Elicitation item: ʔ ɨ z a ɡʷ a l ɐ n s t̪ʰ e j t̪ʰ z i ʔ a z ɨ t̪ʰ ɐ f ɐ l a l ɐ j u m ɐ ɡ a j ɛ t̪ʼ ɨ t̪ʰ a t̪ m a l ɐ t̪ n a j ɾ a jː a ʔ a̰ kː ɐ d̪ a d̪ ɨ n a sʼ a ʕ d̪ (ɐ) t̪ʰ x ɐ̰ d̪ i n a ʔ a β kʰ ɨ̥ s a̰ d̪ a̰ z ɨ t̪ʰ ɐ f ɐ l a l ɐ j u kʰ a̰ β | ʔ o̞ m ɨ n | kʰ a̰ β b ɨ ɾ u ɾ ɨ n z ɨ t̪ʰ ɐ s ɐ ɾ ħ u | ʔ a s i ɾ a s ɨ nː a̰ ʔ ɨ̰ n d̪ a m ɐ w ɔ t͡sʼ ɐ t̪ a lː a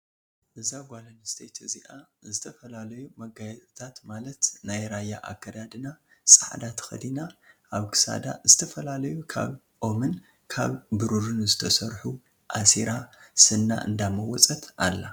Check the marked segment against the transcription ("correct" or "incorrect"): incorrect